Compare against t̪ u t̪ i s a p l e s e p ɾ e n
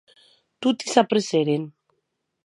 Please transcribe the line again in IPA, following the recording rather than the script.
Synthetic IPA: t̪ u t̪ i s a p ɾ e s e ɾ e n

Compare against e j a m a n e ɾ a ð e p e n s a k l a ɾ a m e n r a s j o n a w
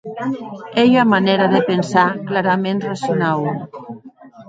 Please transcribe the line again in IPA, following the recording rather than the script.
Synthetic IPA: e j a m a n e ɾ a ð e p e n s a k l a ɾ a m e n r a s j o n a w

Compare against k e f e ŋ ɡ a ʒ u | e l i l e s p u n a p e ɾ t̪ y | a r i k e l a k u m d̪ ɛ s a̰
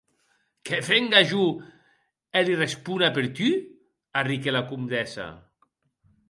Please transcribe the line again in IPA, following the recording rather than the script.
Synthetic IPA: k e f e ŋ ɡ a ʒ u | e l i r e s p u n a p e ɾ t̪ y | a r i k e l a k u m d̪ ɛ s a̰

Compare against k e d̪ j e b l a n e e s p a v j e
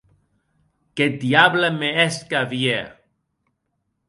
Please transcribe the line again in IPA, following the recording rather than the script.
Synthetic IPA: k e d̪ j a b l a m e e s k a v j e

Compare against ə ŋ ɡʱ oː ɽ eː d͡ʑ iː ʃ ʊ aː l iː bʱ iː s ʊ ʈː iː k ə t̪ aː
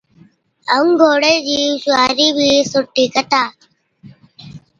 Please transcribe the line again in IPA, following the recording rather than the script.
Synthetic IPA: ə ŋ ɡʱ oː ɽ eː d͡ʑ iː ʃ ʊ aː ɾ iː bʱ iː s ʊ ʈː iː k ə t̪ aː

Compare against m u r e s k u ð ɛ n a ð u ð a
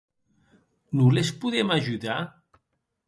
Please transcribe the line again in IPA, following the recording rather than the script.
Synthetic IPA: n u l e s p u ð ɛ m a ʒ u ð a

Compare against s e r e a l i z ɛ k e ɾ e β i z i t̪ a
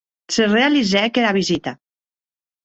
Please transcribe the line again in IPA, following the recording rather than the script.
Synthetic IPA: s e r e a l i z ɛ k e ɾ a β i z i t̪ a

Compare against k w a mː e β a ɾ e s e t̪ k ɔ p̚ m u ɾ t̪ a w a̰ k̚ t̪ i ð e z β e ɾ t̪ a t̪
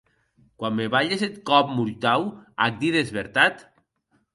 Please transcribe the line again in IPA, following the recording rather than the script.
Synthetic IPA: k w a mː e β a ʎ e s e t̪ k ɔ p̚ m u ɾ t̪ a w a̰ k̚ d̪ i ð e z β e ɾ t̪ a t̪

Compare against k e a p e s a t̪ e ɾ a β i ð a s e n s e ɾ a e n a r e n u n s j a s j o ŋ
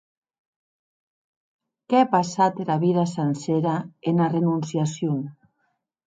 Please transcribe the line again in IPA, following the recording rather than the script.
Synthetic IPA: k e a p a s a t̪ e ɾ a β i ð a s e n s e ɾ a e n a r e n u n s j a s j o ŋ

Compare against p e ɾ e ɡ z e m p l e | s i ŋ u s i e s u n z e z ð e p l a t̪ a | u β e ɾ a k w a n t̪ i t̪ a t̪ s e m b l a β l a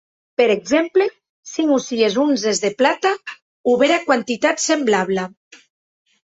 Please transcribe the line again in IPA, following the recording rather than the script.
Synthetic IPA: p e ɾ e ɡ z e m p l e | s i ŋ u s i e z u n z e z ð e p l a t̪ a | u β e ɾ a k w a n t̪ i t̪ a t̪ s e m b l a β l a

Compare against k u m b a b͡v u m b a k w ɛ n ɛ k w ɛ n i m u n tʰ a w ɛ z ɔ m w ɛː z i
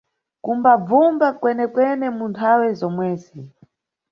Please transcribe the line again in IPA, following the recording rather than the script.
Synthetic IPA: k u m b a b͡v u m b a k w ɛ n ɛ k w ɛ n ɛ m u n tʰ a w ɛ z ɔ m w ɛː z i

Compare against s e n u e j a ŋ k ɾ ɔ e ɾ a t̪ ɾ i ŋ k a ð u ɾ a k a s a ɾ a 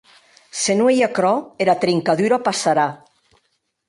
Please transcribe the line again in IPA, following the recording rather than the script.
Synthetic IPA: s e n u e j a k ɾ ɔ e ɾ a t̪ ɾ i ŋ k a ð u ɾ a p a s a ɾ a

